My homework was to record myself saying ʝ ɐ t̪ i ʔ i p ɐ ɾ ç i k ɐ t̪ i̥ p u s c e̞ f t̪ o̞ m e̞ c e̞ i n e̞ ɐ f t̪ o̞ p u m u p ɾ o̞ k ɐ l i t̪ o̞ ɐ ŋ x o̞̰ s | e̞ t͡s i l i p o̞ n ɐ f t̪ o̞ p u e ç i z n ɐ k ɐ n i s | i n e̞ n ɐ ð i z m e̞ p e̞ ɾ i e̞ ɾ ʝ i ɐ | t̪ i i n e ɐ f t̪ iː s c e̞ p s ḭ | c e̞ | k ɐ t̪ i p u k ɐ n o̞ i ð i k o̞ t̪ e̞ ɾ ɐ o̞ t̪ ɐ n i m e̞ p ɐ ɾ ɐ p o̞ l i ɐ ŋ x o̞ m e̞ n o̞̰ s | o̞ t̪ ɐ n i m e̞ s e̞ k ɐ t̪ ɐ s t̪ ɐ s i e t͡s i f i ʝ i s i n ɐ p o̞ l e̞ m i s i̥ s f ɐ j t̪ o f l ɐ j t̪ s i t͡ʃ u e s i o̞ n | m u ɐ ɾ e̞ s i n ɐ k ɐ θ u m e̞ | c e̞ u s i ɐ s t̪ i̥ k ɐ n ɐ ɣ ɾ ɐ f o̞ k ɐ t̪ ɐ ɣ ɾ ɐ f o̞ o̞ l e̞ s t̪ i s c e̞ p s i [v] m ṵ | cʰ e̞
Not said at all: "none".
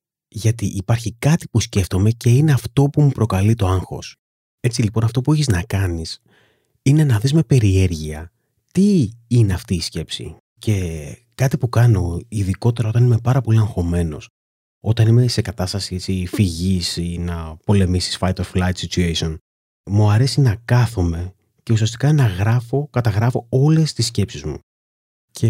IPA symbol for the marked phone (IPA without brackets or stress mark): z